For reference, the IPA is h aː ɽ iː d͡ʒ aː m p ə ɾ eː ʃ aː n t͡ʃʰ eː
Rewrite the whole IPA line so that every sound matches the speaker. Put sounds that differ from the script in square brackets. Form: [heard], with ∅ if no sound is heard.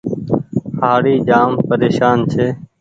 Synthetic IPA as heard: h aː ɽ iː d͡ʒ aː m p ə ɾ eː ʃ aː n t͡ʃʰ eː